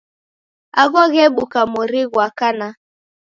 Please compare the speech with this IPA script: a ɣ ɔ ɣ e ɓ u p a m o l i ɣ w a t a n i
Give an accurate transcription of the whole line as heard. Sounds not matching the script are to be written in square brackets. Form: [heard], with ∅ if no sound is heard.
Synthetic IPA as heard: a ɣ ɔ ɣ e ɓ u [k] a m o [ɾ] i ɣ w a [k] a n [a]